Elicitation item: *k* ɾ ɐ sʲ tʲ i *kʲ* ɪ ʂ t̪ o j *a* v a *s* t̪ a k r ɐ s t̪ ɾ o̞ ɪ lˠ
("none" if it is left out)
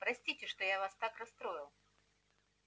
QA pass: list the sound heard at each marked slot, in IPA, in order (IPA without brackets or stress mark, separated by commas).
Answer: p, tʲ, a, s